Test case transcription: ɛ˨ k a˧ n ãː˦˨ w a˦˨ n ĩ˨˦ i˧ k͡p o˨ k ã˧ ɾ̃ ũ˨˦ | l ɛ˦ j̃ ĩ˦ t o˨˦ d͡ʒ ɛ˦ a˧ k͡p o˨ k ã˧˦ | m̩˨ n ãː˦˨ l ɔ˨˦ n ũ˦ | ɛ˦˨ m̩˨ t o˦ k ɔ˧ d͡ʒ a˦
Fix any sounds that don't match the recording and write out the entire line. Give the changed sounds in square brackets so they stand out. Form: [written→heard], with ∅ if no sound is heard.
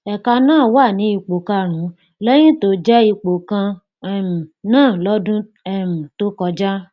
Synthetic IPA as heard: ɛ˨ k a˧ n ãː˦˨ w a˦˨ n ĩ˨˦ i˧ k͡p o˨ k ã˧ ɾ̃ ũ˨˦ | l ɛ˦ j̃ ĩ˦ t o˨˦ d͡ʒ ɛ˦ [a˧→i˧] k͡p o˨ k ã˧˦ | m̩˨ n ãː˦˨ l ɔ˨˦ [n→d] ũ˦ | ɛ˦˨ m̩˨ t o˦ k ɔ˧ d͡ʒ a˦